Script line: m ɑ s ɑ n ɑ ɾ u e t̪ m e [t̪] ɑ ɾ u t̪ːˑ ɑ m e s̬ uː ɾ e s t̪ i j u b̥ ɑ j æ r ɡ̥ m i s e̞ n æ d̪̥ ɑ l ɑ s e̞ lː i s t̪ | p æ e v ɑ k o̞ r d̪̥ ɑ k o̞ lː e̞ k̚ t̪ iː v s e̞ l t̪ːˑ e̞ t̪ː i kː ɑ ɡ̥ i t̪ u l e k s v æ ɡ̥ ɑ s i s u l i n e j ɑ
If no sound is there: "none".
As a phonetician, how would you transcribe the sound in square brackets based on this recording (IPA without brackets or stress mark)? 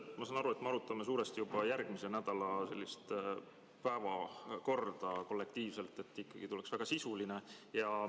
none